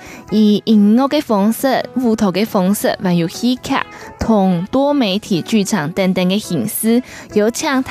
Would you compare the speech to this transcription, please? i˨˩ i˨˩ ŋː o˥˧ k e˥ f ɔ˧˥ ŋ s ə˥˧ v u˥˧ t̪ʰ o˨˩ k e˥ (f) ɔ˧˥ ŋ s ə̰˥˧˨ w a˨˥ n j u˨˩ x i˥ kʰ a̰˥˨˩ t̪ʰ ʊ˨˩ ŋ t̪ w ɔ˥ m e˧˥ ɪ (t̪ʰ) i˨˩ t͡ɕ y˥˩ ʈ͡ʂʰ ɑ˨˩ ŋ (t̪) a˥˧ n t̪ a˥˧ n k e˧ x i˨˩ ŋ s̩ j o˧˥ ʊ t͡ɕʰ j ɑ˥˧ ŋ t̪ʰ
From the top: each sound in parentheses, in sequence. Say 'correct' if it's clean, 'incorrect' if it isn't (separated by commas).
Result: correct, correct, correct